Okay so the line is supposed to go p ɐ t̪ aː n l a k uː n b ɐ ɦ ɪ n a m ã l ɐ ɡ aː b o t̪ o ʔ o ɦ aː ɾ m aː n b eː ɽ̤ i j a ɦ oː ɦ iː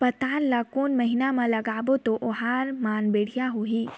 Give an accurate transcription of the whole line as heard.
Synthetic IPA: p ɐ t̪ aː n l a k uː n m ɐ ɦ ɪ n a m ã l ɐ ɡ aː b o t̪ o ʔ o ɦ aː ɾ m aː n b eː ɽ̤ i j a ɦ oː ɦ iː